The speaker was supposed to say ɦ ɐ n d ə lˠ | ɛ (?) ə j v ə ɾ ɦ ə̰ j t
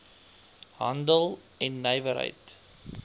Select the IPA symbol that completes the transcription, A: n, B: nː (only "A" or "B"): B